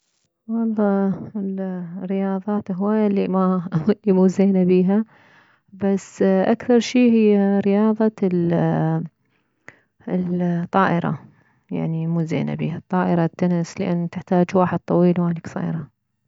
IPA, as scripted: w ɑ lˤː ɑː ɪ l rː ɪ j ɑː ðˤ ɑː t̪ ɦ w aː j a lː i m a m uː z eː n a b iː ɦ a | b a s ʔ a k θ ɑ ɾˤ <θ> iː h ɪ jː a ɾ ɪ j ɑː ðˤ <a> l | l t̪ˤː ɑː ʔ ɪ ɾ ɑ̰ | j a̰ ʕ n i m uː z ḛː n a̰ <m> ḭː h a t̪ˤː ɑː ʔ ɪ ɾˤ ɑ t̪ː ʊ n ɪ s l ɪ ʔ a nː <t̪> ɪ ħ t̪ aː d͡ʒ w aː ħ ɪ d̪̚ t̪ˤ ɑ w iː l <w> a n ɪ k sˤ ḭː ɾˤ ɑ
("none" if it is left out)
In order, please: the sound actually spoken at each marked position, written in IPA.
ʃ, ɑ, b, t̪, w

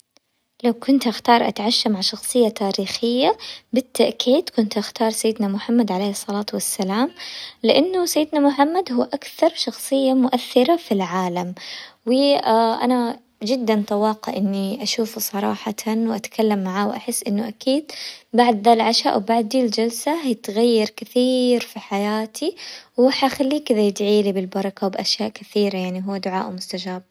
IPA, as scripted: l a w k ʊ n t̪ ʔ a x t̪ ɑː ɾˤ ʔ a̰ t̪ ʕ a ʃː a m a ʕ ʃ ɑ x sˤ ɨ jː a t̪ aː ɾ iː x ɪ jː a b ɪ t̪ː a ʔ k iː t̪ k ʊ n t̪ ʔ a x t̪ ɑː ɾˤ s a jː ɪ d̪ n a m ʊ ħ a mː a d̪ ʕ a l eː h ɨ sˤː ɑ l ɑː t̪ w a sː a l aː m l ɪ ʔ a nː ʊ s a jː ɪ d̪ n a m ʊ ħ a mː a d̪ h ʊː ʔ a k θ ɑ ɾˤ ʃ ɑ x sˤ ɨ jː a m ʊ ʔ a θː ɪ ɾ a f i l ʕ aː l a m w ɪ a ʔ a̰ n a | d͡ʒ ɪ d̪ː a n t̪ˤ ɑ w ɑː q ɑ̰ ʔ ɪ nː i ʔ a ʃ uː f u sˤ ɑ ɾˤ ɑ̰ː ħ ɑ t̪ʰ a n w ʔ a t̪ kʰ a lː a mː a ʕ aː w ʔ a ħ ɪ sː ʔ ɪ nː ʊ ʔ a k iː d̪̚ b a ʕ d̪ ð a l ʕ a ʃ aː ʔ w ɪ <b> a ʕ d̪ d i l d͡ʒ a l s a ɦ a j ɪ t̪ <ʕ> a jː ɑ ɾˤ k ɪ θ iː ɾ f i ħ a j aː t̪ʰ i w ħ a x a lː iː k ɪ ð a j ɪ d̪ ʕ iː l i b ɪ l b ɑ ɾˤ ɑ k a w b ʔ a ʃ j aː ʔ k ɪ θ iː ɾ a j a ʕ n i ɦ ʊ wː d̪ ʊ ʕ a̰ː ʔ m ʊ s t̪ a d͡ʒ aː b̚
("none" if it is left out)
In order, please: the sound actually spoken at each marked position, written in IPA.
b, ɣ

